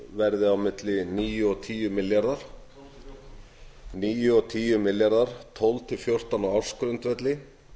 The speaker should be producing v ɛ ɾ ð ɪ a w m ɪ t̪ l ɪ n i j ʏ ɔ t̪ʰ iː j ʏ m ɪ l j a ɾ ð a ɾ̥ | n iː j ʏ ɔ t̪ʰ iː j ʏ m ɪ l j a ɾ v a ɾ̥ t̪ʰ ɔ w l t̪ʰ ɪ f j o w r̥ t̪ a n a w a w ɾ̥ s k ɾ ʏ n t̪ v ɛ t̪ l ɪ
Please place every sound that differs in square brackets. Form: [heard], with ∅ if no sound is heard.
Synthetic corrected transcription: v ɛ ɾ ð ɪ a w m ɪ t̪ l ɪ n [iː] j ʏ ɔ t̪ʰ iː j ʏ m ɪ l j a ɾ ð a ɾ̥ | n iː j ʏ ɔ t̪ʰ iː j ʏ m ɪ l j a ɾ [ð] a ɾ̥ t̪ʰ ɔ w l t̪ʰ ɪ f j o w r̥ t̪ a n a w a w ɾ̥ s k ɾ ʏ n t̪ v ɛ t̪ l ɪ

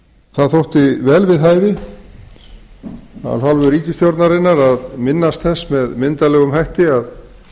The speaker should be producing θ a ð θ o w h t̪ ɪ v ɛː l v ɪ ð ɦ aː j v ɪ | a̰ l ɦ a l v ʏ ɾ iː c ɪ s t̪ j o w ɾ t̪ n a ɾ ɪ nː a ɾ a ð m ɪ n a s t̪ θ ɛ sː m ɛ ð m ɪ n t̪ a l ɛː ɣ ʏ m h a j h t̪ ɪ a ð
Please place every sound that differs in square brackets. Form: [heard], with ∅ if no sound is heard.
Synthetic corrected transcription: θ a ð θ o w h t̪ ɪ v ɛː l v ɪ ð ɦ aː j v ɪ | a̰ l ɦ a l v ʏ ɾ iː c ɪ s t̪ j o w ɾ t̪ n a ɾ ɪ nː a ɾ a ð m ɪ [nː] a s t̪ θ ɛ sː m ɛ ð m ɪ n t̪ a l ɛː ɣ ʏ m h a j h t̪ ɪ a ð

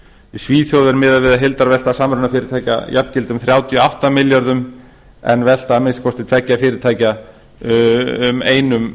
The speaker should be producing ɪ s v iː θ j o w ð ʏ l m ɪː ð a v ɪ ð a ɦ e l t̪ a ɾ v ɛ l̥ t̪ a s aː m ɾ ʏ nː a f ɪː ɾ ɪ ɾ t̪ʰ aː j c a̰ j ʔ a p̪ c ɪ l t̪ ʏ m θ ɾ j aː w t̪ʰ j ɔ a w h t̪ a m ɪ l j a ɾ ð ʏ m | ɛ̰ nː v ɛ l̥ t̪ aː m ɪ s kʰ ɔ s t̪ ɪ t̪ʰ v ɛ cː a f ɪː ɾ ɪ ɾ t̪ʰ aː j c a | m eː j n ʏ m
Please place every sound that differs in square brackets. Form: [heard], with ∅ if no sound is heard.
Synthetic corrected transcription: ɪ s v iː θ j o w ð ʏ [ɾ] m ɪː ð a v ɪ ð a ɦ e l t̪ a ɾ v ɛ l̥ t̪ a s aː m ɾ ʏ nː a f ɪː ɾ ɪ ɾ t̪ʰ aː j c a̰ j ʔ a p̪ c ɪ l t̪ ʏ m θ ɾ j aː w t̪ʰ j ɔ a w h t̪ a m ɪ l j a ɾ ð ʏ m | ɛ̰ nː v ɛ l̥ t̪ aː m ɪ s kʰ ɔ s t̪ ɪ t̪ʰ v ɛ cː a f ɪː ɾ ɪ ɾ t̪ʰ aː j c a | m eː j n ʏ m

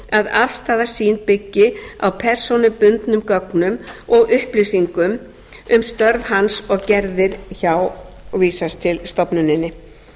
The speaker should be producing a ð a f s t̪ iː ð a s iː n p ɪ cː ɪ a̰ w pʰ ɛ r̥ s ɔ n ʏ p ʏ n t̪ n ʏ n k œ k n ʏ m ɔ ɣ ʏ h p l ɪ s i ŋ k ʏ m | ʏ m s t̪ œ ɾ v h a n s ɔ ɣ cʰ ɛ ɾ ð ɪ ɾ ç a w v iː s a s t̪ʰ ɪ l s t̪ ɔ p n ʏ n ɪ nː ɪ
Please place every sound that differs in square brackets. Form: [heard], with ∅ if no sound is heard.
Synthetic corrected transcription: a ð a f s t̪ [aː] ð a s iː n p ɪ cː ɪ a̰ w pʰ ɛ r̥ s ɔ n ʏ p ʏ n t̪ n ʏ [m] k œ k n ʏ m ɔ ɣ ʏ h p l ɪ s i ŋ k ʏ m | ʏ m s t̪ œ ɾ v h a n s ɔ ɣ [c] ɛ ɾ ð ɪ ɾ ç a w v iː s a s t̪ʰ ɪ l s t̪ ɔ p n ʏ n ɪ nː ɪ

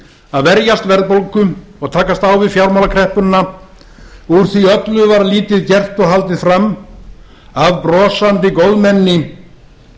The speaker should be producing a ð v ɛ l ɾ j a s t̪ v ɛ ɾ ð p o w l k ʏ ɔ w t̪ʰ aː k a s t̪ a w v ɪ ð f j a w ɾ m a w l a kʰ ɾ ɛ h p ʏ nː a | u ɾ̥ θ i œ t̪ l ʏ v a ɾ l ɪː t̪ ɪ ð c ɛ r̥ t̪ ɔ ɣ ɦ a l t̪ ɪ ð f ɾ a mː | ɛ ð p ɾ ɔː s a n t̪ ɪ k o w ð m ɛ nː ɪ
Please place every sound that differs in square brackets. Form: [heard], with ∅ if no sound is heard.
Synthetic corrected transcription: a ð v ɛ [∅] ɾ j a s t̪ v ɛ ɾ ð p o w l k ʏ ɔ [ɣ] t̪ʰ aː k a s t̪ a w v ɪ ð f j a w ɾ m a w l a kʰ ɾ ɛ h p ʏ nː a | u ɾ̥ θ i œ t̪ l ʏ v a ɾ l [iː] t̪ ɪ ð c ɛ r̥ t̪ ɔ ɣ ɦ a l t̪ ɪ ð f ɾ a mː | [a] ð p ɾ ɔː s a n t̪ ɪ k o w ð m ɛ nː ɪ

